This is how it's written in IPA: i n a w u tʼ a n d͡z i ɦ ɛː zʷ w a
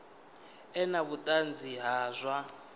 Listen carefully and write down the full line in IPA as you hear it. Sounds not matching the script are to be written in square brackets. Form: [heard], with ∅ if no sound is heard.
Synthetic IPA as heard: [ɛ] n a [β] u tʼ a n d͡z i ɦ [aː] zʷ w a